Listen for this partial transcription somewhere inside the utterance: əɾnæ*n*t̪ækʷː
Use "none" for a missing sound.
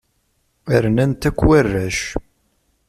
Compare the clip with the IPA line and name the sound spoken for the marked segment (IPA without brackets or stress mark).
n